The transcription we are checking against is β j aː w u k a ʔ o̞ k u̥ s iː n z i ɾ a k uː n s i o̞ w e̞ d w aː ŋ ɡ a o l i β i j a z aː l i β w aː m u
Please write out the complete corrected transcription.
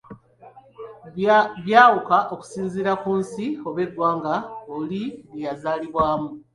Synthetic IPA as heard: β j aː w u k a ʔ o̞ k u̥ s iː n z i ɾ a k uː n s i o̞ β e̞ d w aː ŋ ɡ a o l i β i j a z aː l i β w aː m u